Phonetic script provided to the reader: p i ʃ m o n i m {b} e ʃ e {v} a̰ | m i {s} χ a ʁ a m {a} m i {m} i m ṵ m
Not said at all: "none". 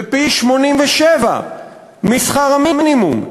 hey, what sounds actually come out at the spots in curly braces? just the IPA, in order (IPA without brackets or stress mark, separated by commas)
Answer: v, v, s, i, n